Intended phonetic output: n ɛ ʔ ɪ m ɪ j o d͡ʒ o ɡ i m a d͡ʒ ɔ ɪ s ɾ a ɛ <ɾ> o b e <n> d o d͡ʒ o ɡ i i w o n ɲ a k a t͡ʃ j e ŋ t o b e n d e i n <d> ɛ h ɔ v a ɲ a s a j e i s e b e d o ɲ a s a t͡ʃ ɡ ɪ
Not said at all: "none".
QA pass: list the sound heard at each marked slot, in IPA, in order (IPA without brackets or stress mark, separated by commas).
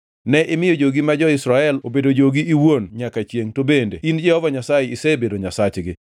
l, none, d͡ʒ